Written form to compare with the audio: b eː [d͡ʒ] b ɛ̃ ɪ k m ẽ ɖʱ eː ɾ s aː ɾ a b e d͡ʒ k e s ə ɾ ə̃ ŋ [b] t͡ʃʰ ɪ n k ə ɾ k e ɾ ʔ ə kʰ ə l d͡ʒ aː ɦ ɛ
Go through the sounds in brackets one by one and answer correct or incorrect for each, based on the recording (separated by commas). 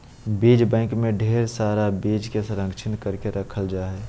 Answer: correct, incorrect